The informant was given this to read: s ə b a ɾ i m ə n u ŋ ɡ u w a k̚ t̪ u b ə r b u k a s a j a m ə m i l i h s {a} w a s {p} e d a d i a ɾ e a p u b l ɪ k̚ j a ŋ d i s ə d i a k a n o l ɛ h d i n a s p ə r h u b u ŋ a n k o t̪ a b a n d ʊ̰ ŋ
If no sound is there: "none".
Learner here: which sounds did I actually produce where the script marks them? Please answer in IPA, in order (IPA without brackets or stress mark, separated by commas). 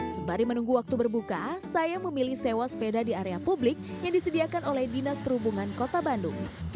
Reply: e, p